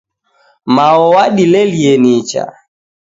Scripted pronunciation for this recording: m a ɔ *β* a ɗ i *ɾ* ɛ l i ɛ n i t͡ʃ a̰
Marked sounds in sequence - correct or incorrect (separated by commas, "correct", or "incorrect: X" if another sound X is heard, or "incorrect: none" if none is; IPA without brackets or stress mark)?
incorrect: w, incorrect: l